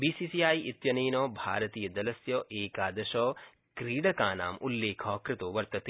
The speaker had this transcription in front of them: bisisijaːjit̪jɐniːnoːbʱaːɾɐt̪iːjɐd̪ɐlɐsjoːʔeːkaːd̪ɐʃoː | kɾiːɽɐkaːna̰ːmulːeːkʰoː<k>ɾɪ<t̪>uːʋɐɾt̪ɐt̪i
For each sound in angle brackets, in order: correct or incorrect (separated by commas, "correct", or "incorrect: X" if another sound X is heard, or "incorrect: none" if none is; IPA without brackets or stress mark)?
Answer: correct, correct